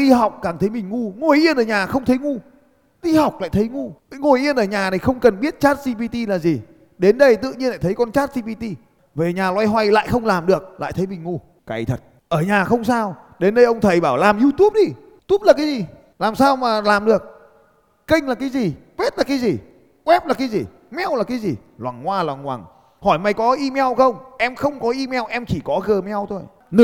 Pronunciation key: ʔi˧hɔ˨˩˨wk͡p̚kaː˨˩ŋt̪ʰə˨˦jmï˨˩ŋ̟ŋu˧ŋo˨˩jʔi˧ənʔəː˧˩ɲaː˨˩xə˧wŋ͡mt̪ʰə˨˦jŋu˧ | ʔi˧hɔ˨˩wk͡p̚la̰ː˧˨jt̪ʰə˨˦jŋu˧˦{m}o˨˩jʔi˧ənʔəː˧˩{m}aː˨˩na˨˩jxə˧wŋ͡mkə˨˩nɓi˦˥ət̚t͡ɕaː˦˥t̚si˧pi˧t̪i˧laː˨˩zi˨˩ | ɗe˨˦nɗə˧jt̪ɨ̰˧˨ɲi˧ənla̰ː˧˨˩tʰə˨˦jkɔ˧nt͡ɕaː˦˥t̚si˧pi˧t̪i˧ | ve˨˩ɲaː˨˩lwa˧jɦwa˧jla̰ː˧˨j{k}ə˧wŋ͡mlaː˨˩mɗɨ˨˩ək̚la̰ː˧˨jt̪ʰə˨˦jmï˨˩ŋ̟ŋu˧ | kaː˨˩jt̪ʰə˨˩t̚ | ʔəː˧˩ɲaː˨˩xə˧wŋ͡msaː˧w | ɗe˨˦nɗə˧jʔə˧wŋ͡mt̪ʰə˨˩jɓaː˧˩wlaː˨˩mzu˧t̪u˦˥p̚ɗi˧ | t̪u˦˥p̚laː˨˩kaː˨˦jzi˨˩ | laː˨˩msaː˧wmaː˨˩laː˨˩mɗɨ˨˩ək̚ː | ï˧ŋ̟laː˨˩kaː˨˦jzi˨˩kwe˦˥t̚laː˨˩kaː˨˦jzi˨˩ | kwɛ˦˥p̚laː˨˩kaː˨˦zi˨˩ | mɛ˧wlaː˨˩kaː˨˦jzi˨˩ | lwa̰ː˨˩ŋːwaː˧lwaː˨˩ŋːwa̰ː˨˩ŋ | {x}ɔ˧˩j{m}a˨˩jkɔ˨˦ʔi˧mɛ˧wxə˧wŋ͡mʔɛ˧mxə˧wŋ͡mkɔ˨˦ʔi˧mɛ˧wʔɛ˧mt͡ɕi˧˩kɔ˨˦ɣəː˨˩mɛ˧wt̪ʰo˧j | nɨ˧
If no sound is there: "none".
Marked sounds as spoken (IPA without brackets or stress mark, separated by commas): ŋ, ɲ, x, h, m